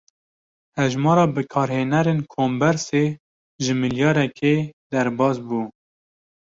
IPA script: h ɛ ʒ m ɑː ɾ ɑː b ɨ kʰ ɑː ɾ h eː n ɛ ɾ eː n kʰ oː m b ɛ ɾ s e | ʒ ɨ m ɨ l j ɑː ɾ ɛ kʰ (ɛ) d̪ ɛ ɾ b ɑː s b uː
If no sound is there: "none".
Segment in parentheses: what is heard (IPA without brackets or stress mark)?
e